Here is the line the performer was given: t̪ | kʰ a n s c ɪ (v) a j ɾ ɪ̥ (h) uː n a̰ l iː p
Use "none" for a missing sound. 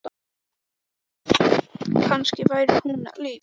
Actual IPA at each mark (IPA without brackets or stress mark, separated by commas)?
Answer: v, h